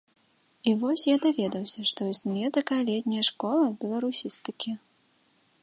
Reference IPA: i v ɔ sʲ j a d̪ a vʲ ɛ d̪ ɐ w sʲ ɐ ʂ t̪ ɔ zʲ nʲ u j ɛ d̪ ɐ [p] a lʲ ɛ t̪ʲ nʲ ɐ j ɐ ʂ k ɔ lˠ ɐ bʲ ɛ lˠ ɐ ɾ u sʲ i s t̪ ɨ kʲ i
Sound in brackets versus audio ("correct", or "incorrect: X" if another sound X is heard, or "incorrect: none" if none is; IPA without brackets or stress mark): incorrect: k